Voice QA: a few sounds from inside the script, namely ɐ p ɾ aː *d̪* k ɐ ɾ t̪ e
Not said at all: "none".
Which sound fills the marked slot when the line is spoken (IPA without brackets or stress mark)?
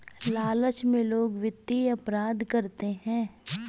d̪